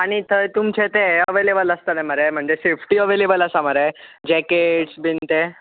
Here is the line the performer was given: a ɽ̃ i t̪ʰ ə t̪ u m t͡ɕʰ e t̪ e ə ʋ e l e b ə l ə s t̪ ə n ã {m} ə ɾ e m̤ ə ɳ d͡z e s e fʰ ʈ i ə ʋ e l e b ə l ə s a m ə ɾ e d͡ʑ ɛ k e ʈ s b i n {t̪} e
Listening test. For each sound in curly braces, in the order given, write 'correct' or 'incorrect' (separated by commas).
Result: correct, correct